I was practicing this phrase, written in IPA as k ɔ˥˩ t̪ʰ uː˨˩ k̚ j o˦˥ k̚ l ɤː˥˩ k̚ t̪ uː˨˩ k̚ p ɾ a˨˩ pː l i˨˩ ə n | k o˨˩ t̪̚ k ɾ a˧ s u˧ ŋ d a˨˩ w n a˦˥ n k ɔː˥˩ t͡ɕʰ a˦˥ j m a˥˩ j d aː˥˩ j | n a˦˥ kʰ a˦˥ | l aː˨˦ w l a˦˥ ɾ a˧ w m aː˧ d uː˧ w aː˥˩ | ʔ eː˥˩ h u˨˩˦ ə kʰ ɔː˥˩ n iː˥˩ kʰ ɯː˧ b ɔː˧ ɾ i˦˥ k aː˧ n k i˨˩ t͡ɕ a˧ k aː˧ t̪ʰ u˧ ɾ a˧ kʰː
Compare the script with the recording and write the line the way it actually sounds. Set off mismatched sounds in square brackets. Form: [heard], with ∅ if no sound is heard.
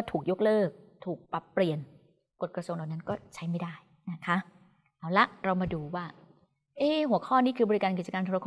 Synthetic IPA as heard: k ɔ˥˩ t̪ʰ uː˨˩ k̚ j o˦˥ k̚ l ɤː˥˩ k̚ [t̪ʰ] uː˨˩ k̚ p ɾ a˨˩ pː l i˨˩ ə n | k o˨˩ t̪̚ k ɾ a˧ s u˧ ŋ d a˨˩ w n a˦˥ n k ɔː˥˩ t͡ɕʰ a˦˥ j m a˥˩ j d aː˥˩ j | n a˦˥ kʰ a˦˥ | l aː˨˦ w l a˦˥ ɾ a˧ w m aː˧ d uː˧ w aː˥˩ | ʔ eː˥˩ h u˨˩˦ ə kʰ ɔː˥˩ n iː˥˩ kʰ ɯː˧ b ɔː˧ ɾ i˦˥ k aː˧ n k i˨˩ t͡ɕ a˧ k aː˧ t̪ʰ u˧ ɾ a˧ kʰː